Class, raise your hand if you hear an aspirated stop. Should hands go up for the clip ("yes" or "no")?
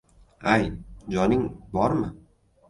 no